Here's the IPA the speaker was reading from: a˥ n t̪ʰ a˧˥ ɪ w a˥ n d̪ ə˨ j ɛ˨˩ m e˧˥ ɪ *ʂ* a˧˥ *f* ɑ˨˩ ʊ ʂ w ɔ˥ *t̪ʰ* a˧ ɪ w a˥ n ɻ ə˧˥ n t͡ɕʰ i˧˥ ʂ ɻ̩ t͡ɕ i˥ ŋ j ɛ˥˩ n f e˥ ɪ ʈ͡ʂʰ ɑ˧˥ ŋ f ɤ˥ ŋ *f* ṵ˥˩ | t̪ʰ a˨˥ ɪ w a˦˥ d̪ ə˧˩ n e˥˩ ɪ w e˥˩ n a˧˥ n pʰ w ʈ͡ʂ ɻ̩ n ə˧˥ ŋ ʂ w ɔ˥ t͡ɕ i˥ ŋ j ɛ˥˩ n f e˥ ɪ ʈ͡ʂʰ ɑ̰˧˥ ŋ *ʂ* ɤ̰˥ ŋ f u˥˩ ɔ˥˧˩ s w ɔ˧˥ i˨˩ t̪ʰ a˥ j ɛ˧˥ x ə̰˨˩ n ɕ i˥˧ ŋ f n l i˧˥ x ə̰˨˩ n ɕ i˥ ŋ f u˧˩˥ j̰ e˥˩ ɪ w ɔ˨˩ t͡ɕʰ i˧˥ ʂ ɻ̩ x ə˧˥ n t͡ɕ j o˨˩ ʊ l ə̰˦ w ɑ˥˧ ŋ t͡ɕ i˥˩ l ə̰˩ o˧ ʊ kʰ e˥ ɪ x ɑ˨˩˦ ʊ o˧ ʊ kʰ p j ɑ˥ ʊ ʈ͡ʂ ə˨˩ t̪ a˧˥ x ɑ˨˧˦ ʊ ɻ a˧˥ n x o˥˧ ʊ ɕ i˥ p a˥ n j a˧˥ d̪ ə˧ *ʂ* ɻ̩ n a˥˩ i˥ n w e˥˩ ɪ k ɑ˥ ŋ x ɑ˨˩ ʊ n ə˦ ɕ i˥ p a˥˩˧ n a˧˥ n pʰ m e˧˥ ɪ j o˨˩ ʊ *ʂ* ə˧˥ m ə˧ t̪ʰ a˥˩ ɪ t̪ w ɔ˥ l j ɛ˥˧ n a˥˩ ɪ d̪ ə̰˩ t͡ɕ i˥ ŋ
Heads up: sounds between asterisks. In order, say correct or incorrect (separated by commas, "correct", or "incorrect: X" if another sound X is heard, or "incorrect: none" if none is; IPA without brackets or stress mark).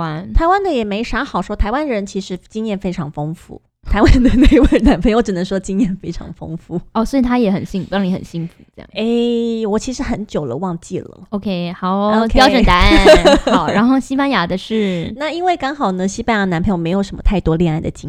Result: correct, incorrect: x, correct, correct, incorrect: f, correct, correct